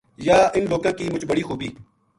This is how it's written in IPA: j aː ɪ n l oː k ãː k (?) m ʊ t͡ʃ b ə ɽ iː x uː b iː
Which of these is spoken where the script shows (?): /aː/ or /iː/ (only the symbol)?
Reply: iː